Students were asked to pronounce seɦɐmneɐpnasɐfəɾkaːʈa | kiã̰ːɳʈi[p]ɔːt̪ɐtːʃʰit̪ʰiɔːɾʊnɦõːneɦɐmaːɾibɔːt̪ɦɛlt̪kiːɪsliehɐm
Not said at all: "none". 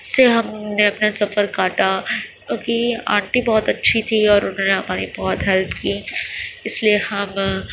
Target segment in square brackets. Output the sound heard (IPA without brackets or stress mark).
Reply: b